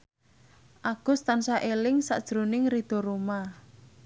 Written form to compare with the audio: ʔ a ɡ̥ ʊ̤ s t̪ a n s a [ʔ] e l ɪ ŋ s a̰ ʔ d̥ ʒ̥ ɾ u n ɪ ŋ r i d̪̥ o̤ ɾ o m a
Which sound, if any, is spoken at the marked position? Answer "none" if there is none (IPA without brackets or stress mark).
ʔ